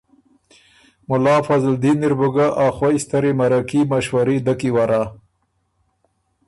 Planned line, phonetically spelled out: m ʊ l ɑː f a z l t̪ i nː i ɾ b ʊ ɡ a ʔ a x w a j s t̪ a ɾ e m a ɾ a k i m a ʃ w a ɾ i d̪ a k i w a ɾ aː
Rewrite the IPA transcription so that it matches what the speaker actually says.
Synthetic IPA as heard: m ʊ l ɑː f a z l d̪ i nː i ɾ b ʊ ɡ a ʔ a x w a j s t̪ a ɾ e m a ɾ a k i m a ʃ w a ɾ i d̪ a k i w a ɾ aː

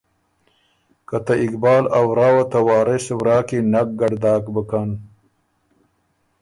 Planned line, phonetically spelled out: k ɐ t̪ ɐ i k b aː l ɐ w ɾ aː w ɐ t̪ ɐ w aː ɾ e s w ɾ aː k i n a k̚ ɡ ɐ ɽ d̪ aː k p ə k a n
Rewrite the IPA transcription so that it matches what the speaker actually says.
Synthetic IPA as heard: k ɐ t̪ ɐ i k b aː l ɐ w ɾ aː w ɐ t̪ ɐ w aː ɾ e s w ɾ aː k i n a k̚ ɡ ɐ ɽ d̪ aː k b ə k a n

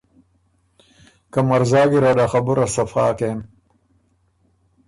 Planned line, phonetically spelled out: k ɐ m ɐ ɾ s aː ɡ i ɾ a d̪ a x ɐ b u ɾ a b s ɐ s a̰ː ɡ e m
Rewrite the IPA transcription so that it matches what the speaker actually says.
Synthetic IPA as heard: k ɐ m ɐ ɾ z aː ɡ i ɾ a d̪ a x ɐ b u ɾ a s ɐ f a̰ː k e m

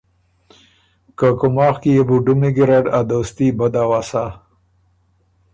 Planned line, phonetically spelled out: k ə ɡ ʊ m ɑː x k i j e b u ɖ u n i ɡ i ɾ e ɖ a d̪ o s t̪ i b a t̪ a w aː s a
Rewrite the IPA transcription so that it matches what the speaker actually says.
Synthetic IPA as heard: k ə k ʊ m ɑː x k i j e b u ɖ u m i ɡ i ɾ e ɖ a d̪ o s t̪ i b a d̪ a w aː s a

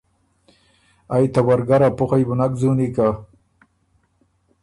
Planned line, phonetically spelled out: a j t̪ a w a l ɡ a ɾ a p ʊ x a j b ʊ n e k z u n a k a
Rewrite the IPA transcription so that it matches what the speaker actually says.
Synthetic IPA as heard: a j t̪ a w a ɾ ɡ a ɾ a p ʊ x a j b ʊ n a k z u n i k a

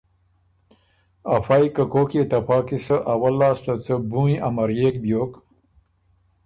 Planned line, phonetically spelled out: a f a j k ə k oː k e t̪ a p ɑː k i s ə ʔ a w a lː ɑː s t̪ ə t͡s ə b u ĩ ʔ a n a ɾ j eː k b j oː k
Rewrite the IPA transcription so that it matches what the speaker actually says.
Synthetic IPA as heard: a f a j k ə k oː k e t̪ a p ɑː k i s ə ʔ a w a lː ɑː s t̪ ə t͡s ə b u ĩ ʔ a m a ɾ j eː k b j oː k

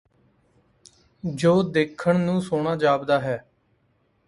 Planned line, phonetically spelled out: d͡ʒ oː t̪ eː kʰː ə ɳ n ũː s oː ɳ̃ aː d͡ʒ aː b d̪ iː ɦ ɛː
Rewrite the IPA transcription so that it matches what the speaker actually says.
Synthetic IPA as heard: d͡ʒ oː d̪ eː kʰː ə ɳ n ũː s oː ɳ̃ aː d͡ʒ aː b d̪ aː ɦ ɛː

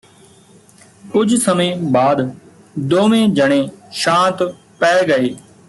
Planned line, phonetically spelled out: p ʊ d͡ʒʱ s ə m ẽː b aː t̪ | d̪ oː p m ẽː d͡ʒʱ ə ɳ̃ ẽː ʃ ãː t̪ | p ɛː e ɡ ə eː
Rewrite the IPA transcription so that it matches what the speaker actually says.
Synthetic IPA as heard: k ʊ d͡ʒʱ s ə m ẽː b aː d̪ | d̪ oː m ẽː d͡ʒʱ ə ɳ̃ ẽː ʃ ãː t̪ | p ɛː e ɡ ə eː

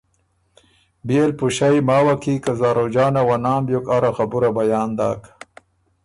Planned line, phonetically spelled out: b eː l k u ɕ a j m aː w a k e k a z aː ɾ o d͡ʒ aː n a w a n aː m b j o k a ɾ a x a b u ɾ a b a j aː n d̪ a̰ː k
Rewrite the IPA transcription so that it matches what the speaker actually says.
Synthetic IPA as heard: b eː l p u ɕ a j m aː w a k i k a z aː ɾ o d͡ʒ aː n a w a n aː m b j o k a ɾ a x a b u ɾ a b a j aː n d̪ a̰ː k

